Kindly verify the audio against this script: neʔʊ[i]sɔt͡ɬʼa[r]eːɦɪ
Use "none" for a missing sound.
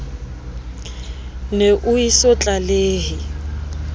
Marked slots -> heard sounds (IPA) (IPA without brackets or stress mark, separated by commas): i, l